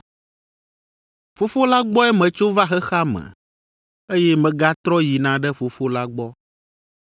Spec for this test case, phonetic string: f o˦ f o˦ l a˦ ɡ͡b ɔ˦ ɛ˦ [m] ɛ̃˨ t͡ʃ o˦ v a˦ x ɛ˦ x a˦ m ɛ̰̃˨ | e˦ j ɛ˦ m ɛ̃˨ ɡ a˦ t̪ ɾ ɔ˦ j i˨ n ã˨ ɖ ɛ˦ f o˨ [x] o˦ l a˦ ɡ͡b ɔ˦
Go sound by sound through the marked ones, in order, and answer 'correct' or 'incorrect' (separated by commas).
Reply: correct, incorrect